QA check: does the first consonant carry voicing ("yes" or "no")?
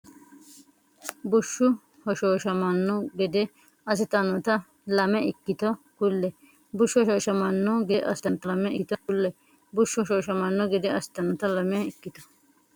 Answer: yes